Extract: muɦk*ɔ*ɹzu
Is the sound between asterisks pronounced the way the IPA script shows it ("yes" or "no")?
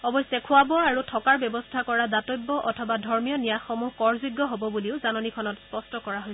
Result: yes